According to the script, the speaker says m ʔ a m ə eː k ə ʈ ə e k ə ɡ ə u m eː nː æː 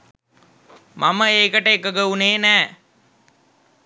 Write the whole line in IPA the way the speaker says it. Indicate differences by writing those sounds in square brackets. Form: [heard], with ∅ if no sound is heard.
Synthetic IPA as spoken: m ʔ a m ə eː k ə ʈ ə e k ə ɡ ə u [n] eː [n] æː